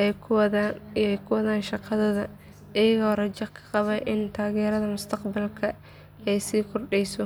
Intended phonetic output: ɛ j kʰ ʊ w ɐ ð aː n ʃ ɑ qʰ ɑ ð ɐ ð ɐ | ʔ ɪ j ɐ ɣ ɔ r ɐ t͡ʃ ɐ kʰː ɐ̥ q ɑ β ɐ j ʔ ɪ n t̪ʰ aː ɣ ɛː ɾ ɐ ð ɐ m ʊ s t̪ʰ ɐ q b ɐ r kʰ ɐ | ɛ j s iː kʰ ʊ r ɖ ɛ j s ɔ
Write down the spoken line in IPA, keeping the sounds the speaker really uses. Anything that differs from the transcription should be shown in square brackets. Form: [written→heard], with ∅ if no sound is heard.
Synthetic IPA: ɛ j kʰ ʊ w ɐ ð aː n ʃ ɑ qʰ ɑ ð ɐ ð ɐ | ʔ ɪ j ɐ ɣ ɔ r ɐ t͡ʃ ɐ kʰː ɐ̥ q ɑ β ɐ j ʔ ɪ n t̪ʰ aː ɣ ɛː ɾ ɐ ð ɐ m ʊ s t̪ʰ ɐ q b ɐ [r→l] kʰ ɐ | ɛ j s iː kʰ ʊ r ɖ ɛ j s ɔ